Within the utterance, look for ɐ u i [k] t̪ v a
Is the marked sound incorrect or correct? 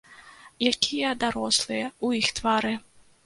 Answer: incorrect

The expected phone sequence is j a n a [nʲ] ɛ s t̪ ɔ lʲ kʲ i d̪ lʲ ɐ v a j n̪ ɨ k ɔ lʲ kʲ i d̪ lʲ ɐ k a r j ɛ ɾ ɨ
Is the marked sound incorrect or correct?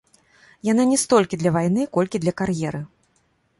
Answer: correct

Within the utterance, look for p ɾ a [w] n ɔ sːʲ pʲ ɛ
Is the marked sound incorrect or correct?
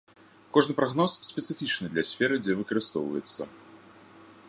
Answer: incorrect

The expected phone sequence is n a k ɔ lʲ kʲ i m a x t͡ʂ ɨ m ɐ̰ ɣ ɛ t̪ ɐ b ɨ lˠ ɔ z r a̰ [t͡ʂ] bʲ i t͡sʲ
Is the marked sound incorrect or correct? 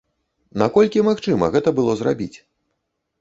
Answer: incorrect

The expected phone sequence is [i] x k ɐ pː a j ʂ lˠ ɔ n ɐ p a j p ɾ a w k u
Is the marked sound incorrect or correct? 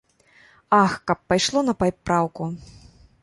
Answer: incorrect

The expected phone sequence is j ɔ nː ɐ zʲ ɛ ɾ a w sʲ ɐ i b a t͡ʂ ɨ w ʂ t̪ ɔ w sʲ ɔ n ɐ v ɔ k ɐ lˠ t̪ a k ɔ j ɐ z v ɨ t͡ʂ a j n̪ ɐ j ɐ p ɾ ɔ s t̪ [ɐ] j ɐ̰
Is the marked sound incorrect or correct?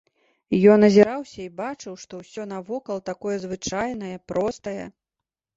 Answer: correct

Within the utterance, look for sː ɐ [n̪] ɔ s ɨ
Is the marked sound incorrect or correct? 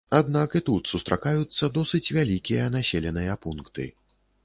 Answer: incorrect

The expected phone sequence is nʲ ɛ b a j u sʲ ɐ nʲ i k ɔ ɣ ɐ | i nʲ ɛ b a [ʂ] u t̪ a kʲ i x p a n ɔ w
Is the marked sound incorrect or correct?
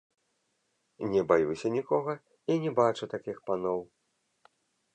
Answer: incorrect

